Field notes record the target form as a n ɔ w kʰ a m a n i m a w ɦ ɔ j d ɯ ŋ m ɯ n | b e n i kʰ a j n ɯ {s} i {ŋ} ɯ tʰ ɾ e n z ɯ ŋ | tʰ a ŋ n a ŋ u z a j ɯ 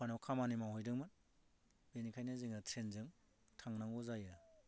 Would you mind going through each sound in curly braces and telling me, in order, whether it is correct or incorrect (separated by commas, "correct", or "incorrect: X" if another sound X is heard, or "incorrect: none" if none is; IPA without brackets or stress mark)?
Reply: incorrect: z, correct